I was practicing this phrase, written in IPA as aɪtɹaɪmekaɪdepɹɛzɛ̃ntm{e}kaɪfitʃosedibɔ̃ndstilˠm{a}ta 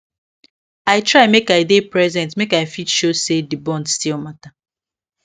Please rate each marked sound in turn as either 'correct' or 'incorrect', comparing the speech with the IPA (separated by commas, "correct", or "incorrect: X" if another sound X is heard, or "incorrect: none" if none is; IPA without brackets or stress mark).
correct, correct